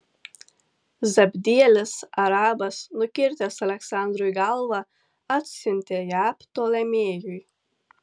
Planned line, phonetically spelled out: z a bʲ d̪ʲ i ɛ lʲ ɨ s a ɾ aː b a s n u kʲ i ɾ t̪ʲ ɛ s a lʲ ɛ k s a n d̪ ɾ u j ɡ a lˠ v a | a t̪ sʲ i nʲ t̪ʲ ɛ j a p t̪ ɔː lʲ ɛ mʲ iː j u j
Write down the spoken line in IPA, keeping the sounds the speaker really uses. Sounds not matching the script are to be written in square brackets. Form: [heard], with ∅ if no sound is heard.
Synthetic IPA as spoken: z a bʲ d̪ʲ i ɛ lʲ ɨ s a ɾ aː b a s n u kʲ i ɾ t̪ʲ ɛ s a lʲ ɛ k s a n d̪ ɾ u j ɡ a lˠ v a | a t̪ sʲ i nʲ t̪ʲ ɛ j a p t̪ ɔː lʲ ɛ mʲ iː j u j

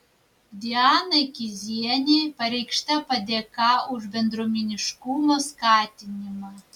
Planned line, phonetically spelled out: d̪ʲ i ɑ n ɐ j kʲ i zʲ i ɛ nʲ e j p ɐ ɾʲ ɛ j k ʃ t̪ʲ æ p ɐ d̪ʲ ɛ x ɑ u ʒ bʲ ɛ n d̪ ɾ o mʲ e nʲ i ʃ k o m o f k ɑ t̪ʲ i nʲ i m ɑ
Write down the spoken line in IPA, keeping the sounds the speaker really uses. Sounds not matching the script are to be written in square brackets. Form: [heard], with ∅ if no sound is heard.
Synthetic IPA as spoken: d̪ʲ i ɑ n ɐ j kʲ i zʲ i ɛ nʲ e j p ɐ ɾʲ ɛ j k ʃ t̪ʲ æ p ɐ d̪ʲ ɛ [k] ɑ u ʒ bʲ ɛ n d̪ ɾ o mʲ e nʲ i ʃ k [u] m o [s] k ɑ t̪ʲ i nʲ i m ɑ

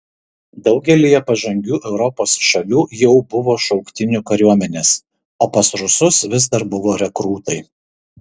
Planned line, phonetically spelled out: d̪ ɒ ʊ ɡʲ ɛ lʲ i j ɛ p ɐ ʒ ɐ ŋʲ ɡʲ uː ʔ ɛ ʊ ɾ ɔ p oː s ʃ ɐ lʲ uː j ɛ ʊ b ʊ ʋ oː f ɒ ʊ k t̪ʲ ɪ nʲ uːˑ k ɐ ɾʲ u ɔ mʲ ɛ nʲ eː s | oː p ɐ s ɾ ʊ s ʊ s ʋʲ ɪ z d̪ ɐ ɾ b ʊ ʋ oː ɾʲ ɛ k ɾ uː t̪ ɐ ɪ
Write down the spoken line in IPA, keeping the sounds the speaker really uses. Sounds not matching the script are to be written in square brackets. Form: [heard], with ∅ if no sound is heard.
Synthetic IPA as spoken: d̪ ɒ ʊ ɡʲ ɛ lʲ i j ɛ p ɐ ʒ ɐ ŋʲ ɡʲ uː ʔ ɛ ʊ ɾ ɔ p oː s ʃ ɐ lʲ uː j ɛ ʊ b ʊ ʋ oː [ʃ] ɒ ʊ k t̪ʲ ɪ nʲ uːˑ k ɐ ɾʲ u ɔ mʲ ɛ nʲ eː s | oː p ɐ s ɾ ʊ s ʊ s ʋʲ ɪ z d̪ ɐ ɾ b ʊ ʋ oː ɾʲ ɛ k ɾ uː t̪ ɐ ɪ

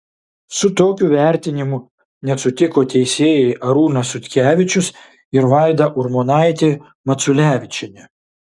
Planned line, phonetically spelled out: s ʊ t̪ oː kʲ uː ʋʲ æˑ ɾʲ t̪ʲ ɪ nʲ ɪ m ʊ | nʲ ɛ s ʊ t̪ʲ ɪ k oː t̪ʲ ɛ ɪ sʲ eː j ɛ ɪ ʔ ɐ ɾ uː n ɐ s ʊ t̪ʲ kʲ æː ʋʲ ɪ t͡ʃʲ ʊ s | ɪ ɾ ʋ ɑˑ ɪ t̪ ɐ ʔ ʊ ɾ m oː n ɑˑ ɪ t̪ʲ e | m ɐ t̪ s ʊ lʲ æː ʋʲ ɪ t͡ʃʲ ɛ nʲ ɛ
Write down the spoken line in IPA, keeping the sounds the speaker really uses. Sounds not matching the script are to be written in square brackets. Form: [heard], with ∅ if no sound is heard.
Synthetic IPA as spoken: s ʊ t̪ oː kʲ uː ʋʲ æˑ ɾʲ t̪ʲ ɪ nʲ ɪ m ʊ | nʲ ɛ s ʊ t̪ʲ ɪ k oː t̪ʲ ɛ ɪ sʲ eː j ɛ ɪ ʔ ɐ ɾ uː n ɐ s ʊ t̪ʲ kʲ æː ʋʲ ɪ t͡ʃʲ ʊ s | ɪ ɾ ʋ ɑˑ ɪ [d̪] ɐ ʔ ʊ ɾ m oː n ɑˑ ɪ t̪ʲ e | m ɐ t̪ s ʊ lʲ æː ʋʲ ɪ t͡ʃʲ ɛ nʲ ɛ

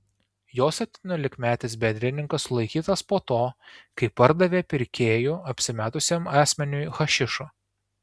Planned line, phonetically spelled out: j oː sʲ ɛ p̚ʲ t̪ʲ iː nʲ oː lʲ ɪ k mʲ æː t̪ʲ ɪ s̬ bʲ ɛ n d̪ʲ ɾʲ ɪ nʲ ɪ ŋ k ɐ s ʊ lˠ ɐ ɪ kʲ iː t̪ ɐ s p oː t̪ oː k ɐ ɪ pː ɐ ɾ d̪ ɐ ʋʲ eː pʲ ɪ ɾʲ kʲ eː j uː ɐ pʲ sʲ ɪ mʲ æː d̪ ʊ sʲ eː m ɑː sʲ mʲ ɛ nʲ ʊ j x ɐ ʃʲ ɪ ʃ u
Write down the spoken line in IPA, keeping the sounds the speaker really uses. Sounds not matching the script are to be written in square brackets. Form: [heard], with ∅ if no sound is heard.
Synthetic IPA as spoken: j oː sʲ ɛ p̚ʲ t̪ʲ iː nʲ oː lʲ ɪ k mʲ æː t̪ʲ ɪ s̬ bʲ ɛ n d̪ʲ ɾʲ ɪ nʲ ɪ ŋ k ɐ s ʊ lˠ ɐ ɪ kʲ iː t̪ ɐ s p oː t̪ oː k ɐ ɪ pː ɐ ɾ d̪ ɐ ʋʲ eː pʲ ɪ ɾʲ kʲ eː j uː ɐ pʲ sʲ ɪ mʲ æː [t̪] ʊ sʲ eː m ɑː sʲ mʲ ɛ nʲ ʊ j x ɐ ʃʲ ɪ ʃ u

